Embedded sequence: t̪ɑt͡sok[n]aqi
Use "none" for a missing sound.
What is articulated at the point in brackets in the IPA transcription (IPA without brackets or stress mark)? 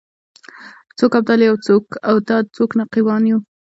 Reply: n